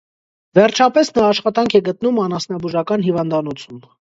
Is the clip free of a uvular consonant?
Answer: no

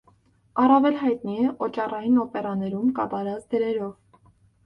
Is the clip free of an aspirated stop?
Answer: yes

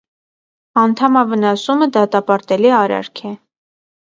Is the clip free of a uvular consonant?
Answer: yes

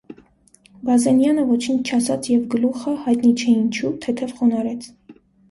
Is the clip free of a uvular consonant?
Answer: no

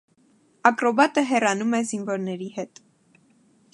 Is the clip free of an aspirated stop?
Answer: yes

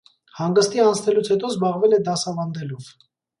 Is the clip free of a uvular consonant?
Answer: no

